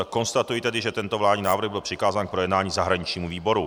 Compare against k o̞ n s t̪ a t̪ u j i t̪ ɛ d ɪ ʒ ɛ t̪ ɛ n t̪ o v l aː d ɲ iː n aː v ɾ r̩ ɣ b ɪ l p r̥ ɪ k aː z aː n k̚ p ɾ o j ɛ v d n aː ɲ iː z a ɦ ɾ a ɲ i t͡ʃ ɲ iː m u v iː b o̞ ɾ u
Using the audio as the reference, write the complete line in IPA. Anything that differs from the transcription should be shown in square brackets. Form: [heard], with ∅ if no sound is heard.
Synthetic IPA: k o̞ n s t̪ a t̪ u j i t̪ ɛ d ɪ ʒ ɛ t̪ ɛ n t̪ o v l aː d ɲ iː n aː v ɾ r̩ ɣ b ɪ l p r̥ ɪ k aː z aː n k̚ p ɾ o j ɛ [∅] d n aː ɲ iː z a ɦ ɾ a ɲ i t͡ʃ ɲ iː m u v iː b o̞ ɾ u